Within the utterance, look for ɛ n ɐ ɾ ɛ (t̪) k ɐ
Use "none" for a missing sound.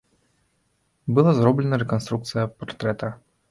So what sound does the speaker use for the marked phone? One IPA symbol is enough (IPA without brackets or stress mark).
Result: none